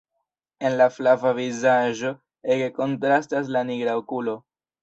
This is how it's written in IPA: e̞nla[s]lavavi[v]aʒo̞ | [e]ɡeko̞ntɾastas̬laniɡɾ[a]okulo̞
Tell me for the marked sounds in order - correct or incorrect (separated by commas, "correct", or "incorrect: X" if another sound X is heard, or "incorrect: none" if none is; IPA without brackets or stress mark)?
incorrect: f, incorrect: z, correct, correct